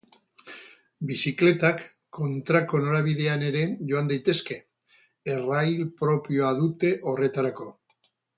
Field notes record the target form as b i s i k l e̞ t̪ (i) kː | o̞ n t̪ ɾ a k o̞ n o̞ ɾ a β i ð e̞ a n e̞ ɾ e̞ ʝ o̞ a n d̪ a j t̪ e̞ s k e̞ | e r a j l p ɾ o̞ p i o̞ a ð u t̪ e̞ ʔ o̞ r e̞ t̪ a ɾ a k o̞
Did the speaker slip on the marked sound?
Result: yes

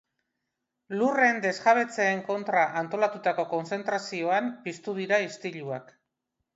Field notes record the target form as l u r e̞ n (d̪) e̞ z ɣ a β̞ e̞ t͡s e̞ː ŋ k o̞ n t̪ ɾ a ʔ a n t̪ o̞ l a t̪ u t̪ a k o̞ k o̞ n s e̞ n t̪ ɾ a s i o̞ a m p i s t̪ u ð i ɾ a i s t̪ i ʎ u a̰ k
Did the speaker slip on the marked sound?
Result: no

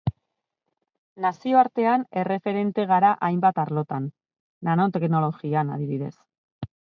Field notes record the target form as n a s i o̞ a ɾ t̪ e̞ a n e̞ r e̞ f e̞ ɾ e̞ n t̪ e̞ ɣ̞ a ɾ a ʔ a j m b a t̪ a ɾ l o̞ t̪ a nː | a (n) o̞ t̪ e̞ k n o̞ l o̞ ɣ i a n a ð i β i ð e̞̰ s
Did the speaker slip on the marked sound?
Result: no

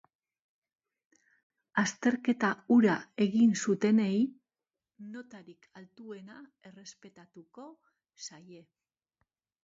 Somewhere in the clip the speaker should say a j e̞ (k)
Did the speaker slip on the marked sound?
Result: yes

